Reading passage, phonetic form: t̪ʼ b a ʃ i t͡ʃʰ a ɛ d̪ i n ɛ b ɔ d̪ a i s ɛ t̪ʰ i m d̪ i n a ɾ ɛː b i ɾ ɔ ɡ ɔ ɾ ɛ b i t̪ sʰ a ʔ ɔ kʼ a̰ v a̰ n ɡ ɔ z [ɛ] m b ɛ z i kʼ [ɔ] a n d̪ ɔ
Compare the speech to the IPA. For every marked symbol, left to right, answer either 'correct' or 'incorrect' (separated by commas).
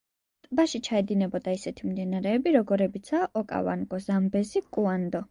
incorrect, incorrect